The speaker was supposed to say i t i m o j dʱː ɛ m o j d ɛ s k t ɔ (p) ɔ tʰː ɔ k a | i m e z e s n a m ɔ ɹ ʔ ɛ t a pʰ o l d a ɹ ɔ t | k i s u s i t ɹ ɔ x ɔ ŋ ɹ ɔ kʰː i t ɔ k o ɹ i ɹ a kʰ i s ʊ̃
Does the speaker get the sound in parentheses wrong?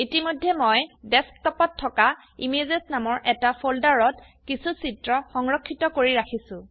no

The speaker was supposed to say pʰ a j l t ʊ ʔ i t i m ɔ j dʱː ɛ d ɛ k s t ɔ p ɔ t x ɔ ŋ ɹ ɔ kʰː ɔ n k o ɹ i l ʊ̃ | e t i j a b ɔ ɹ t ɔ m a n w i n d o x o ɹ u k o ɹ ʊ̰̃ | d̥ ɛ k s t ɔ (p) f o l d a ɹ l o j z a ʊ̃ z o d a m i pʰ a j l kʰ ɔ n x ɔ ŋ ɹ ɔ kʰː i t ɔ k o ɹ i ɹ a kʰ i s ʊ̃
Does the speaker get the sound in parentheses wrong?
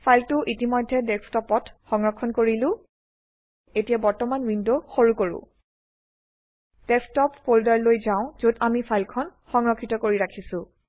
no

